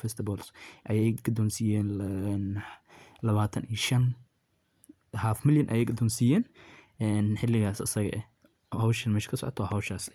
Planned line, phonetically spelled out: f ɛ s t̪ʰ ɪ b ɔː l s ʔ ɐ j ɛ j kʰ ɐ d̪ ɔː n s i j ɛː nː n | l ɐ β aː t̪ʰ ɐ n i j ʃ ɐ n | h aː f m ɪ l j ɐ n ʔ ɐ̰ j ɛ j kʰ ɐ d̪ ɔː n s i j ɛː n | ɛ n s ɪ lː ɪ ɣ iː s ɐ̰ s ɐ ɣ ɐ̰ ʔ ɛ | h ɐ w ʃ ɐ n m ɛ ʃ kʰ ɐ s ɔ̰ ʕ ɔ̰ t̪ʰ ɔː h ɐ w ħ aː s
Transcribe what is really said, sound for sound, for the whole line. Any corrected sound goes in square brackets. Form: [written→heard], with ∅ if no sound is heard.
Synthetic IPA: f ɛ s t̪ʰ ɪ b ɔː l s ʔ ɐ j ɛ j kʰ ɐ d̪ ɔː n s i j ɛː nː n | l ɐ β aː t̪ʰ ɐ n i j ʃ ɐ n | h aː f m ɪ l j ɐ n ʔ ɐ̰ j ɛ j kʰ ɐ d̪ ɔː n s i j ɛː n | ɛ n [s→ħ] ɪ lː ɪ ɣ [iː→aː] s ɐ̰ s ɐ ɣ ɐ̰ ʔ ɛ | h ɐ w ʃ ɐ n m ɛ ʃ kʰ ɐ s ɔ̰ ʕ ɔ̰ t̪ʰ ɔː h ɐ w [ħ→ʃ] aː s